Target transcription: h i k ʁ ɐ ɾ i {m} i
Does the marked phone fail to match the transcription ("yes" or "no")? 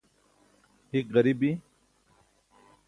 yes